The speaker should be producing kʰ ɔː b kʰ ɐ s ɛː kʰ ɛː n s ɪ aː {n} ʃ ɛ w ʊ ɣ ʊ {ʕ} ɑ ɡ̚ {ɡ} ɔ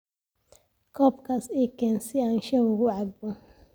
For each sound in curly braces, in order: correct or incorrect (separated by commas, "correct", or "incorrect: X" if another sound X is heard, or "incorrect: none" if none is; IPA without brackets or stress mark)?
correct, correct, incorrect: b